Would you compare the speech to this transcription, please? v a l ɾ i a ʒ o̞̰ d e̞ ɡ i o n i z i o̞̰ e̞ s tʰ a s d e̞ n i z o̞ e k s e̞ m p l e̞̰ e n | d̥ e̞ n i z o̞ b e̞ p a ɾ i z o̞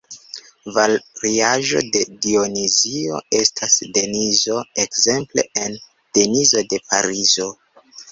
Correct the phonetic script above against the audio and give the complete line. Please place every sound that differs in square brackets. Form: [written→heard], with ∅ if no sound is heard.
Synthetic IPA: v a l ɾ i a ʒ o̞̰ d e̞ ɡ i o n i z i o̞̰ e̞ s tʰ a s d e̞ n i z o̞ e k [s→z] e̞ m p l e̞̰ e n | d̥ e̞ n i z o̞ [b→d] e̞ p a ɾ i z o̞